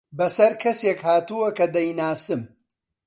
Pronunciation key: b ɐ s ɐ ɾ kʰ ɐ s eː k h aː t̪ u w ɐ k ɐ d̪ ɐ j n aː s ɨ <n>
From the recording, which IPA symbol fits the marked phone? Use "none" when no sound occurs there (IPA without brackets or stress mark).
m